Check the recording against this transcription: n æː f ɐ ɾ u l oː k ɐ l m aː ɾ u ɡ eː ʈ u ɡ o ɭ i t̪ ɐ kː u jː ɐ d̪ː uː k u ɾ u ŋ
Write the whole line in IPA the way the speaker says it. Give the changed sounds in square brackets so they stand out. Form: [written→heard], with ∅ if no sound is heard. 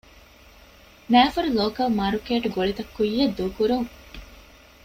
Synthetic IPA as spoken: n æː f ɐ ɾ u l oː k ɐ l m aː ɾ u [ɡ→k] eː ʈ u ɡ o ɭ i t̪ ɐ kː u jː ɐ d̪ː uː k u ɾ u ŋ